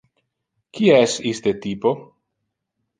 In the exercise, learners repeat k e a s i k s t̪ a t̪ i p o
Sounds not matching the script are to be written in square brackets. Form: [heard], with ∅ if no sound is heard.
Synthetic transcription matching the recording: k [i] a s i [∅] s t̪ [e] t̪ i p o